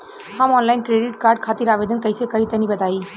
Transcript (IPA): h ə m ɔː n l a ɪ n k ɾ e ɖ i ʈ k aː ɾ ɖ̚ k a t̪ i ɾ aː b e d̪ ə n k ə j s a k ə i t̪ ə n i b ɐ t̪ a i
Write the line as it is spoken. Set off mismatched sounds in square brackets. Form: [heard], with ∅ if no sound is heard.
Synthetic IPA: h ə m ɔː n l a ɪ n k ɾ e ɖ i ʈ k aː ɾ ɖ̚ [kʰ] a t̪ i ɾ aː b e d̪ ə n k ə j s [e] k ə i t̪ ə n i b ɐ t̪ a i